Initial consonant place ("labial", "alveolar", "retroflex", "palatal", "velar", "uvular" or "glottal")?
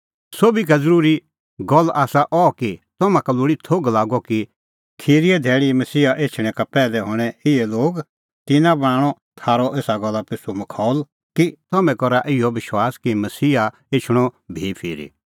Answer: alveolar